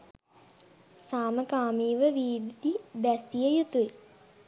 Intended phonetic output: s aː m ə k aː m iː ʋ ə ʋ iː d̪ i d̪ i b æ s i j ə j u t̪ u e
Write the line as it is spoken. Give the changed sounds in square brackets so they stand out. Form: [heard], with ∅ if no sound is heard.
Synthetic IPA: s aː m ə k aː m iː ʋ ə ʋ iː d̪ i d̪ i b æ s i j ə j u t̪ u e